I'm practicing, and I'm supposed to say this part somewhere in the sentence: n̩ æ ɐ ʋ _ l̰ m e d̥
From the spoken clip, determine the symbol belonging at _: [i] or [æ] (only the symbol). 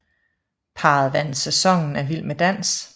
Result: i